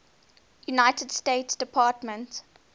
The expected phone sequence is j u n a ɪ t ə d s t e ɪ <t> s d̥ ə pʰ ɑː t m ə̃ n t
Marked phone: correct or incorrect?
correct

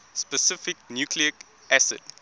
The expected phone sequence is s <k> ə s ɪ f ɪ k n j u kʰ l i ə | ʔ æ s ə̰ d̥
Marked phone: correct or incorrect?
incorrect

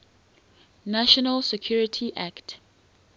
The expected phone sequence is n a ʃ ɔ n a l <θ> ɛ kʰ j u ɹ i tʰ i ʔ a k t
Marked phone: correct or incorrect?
incorrect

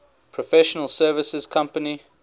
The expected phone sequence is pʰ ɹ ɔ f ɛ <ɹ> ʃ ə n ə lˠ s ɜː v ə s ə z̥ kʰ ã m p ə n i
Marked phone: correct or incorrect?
incorrect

